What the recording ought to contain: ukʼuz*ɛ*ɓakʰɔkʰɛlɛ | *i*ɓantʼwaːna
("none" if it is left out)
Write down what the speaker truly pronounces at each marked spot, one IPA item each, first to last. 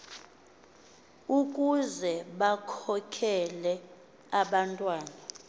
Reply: ɛ, a

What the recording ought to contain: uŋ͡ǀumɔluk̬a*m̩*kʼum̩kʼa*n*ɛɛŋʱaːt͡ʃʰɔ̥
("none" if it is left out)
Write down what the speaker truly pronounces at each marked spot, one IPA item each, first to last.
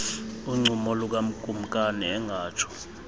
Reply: m̩, n

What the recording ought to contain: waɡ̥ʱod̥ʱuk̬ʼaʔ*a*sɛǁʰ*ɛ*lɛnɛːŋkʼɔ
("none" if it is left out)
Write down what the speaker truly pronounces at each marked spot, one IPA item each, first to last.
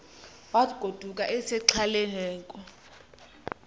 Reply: ɛ, a

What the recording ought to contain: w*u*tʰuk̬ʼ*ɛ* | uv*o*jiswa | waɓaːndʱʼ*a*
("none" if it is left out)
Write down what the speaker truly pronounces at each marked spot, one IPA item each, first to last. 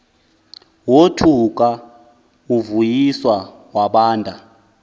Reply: o, a, u, a

